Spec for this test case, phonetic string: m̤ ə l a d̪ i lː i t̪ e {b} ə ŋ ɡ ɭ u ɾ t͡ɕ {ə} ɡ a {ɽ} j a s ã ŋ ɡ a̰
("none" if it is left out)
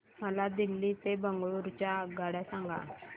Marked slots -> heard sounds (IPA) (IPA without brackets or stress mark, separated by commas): b, a, ɽ